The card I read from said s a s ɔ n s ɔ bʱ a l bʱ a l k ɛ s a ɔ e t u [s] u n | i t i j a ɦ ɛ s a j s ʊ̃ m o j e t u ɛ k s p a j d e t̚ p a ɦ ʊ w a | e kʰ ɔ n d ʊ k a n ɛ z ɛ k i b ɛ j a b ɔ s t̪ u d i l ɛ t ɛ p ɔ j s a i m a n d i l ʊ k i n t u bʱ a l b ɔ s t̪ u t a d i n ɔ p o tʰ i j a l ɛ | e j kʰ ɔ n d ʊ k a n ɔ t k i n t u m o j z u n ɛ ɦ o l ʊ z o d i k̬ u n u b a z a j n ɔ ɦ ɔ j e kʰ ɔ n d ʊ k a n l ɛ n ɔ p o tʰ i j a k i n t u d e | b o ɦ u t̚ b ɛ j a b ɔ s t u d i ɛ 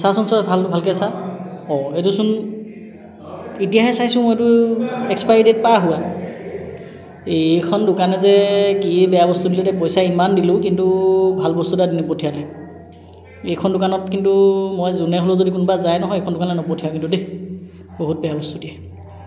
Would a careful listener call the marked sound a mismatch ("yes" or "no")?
no